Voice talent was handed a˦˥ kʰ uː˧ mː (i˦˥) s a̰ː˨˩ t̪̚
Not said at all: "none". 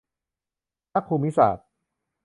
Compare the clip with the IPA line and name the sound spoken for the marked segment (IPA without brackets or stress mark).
i˦˥